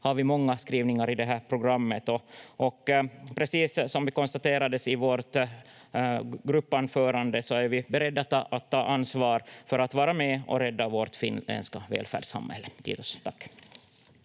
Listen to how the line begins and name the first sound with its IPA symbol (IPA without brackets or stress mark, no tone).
h